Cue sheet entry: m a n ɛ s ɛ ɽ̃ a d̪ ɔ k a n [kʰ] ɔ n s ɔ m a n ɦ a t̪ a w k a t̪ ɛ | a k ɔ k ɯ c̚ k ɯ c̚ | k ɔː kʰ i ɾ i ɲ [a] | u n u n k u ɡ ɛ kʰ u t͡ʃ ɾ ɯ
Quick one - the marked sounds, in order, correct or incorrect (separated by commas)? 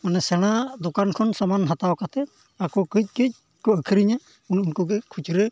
correct, correct